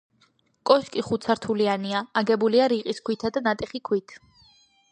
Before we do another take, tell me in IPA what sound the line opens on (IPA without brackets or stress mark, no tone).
kʼ